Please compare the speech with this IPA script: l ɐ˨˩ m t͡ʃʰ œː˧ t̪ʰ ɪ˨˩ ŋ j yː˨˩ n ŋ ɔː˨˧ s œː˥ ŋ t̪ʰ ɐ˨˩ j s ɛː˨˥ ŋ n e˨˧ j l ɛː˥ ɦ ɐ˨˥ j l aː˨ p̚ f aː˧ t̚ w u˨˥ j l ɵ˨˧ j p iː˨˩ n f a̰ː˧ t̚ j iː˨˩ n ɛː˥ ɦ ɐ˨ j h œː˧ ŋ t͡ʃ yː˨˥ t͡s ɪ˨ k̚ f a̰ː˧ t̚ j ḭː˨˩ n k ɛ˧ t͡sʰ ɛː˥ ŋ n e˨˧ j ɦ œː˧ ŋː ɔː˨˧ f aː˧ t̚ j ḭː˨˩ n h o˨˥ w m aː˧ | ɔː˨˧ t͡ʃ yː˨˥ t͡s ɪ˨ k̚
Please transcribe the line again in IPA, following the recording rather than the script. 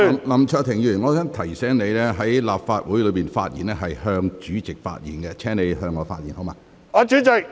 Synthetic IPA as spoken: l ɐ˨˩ m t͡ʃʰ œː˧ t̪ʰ ɪ˨˩ ŋ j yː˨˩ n ŋ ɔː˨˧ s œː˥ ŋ t̪ʰ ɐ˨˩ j s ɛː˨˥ ŋ n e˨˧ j l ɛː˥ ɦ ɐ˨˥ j l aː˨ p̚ f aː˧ t̚ w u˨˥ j l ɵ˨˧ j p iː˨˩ n f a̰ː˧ t̚ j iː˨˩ n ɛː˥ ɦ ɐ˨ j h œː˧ ŋ t͡ʃ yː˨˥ t͡s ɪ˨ k̚ f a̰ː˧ t̚ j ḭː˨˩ n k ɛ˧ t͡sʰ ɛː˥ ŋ n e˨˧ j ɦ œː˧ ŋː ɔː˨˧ f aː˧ t̚ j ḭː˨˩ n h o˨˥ w m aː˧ | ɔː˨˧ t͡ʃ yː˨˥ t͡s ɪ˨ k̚